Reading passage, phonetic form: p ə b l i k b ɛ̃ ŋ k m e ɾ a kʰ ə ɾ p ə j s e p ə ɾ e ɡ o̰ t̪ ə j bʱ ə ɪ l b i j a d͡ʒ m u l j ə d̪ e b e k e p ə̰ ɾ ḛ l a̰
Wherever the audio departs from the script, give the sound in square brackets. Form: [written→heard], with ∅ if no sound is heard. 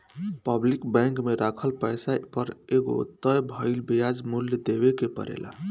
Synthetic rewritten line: p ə b l i k b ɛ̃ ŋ k m e ɾ a kʰ ə [ɾ→l] p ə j s [e→a] p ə ɾ e ɡ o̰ t̪ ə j bʱ ə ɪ l b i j a d͡ʒ m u l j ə d̪ e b e k e p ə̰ ɾ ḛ l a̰